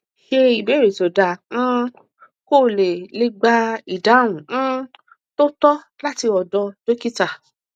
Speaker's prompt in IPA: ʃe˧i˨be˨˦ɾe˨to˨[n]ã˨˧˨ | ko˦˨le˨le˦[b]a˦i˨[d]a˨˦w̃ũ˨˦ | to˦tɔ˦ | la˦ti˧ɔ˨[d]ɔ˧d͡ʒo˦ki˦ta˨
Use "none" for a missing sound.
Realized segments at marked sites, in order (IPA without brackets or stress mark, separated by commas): d, ɡ͡b, d, d